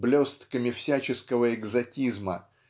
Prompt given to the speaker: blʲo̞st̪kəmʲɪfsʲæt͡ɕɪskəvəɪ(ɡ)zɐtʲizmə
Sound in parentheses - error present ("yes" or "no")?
no